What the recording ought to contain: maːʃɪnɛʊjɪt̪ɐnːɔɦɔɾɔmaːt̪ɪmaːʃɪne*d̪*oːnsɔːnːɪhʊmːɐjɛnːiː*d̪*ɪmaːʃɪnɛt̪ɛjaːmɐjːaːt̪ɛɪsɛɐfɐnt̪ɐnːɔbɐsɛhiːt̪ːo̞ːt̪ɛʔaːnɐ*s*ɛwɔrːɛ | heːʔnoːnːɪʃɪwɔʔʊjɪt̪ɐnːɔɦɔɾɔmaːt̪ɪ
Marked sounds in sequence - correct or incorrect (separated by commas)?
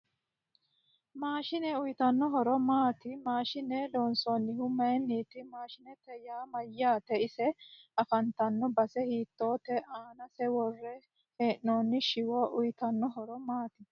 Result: correct, incorrect, correct